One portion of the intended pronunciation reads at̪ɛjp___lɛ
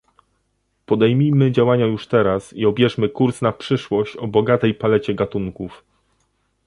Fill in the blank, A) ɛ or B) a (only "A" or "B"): B